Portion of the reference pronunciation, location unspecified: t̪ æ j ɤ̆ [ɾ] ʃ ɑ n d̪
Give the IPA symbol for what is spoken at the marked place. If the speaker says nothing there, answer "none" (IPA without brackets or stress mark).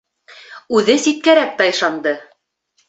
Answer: none